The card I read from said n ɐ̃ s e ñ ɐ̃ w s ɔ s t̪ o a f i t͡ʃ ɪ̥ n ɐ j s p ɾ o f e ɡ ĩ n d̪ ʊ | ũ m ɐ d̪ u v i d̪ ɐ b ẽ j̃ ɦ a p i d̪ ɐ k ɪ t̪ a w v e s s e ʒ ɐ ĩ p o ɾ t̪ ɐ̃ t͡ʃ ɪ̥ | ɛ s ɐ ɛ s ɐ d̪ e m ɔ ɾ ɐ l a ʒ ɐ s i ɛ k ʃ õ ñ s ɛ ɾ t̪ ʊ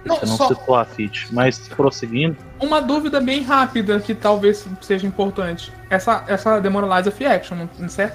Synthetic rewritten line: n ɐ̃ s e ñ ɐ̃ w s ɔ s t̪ o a f i t͡ʃ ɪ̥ m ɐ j s p ɾ o s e ɡ ĩ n d̪ ʊ | ũ m ɐ d̪ u v i d̪ ɐ b ẽ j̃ ɦ a p i d̪ ɐ k ɪ t̪ a w v e s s e ʒ ɐ ĩ p o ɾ t̪ ɐ̃ t͡ʃ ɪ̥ | ɛ s ɐ ɛ s ɐ d̪ e m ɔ ɾ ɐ l a d͡ʒ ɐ f i ɛ k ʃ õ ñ s ɛ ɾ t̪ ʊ